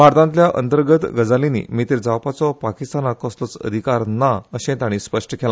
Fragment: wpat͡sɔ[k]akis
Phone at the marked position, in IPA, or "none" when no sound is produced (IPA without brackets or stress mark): p